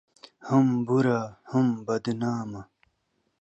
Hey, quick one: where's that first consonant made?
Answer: throat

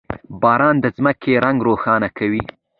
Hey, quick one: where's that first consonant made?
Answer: lips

